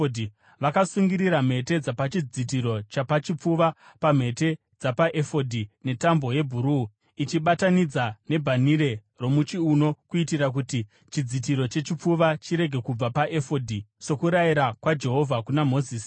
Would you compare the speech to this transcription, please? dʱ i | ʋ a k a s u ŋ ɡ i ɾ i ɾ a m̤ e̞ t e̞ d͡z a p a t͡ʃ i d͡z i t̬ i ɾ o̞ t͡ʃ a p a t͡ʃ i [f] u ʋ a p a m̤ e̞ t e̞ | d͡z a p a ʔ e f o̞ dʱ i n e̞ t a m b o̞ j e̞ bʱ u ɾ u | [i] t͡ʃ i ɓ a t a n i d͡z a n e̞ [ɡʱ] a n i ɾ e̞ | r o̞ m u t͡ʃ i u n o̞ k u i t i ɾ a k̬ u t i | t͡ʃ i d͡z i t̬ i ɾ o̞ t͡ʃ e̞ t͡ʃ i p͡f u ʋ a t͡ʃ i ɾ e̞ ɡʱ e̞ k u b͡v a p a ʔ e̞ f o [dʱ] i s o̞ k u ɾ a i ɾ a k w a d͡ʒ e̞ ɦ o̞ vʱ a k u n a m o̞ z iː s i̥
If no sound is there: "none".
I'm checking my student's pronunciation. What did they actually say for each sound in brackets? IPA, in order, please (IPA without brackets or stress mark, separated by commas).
p͡f, i, bʱ, dʱ